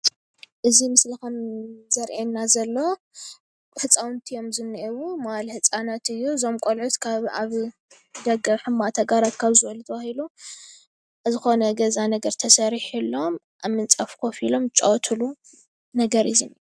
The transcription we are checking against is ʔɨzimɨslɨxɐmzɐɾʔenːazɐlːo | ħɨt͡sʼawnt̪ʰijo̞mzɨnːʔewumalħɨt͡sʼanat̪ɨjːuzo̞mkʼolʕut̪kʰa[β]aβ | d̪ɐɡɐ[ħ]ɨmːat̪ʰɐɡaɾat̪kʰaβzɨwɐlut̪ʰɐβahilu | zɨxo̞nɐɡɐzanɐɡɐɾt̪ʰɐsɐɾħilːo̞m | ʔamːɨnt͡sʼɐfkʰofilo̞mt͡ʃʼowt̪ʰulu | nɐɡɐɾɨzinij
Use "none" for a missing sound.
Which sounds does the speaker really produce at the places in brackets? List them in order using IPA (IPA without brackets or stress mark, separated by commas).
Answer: β, ħ